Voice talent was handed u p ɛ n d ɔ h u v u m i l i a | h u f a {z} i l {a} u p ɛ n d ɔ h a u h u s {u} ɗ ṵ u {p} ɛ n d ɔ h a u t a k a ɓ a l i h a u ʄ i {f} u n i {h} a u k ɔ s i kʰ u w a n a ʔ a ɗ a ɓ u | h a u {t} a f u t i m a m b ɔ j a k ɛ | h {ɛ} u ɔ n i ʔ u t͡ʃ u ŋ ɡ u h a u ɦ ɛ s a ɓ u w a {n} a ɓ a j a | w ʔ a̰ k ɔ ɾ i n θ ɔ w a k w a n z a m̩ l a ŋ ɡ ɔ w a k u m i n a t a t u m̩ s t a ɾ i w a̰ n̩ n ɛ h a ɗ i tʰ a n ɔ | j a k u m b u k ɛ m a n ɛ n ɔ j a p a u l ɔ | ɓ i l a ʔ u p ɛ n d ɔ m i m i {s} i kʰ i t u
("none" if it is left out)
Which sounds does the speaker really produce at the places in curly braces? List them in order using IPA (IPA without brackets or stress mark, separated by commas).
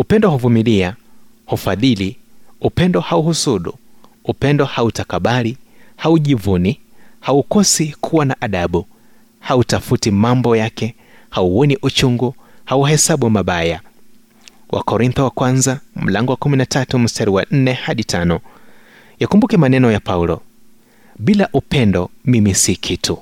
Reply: ð, i, u, p, v, h, t, a, m, s